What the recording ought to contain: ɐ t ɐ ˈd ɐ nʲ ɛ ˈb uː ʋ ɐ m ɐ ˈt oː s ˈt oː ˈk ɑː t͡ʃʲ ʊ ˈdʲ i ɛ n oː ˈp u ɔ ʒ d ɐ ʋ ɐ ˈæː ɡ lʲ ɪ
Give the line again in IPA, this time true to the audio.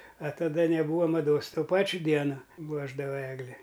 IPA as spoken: ɐ t ɐ ˈd ɐ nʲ ɛ ˈb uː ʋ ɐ m ɐ ˈd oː s ˈt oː ˈp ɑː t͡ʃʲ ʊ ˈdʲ i ɛ n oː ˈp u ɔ ʒ d ɐ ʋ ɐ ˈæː ɡ lʲ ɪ